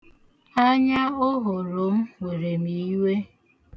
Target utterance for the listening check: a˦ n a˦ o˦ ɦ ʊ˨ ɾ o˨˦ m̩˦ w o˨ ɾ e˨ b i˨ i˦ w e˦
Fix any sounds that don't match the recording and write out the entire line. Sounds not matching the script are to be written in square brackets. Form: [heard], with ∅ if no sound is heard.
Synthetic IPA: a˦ [ɲ] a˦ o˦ ɦ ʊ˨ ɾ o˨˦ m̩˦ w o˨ ɾ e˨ [m] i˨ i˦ w e˦